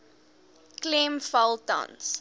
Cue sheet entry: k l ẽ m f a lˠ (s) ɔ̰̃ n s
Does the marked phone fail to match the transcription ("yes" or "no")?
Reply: yes